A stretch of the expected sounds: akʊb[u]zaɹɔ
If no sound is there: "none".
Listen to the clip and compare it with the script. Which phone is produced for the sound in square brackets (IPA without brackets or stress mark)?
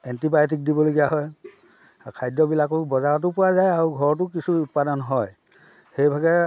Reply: ɔ